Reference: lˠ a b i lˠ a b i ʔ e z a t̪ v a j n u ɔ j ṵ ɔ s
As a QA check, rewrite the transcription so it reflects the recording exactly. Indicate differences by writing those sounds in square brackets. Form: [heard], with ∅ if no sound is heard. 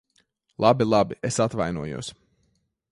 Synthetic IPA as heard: lˠ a b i lˠ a b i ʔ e [s] a t̪ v a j n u ɔ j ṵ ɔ s